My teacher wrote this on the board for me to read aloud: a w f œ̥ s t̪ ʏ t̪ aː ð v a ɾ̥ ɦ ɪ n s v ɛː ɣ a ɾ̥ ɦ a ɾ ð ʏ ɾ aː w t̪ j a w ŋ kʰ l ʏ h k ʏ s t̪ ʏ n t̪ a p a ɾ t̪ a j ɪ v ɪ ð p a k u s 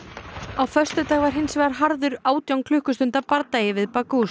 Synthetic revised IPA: a w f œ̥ s t̪ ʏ t̪ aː ɣ v a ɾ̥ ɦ ɪ n s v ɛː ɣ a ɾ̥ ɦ a ɾ ð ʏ ɾ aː w t̪ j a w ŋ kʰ l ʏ h k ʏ s t̪ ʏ n t̪ a p a ɾ t̪ a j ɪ v ɪ ð p a k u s